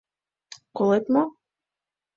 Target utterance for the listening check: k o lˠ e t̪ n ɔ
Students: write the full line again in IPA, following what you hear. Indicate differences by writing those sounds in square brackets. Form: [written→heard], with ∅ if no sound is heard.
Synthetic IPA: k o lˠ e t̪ [n→m] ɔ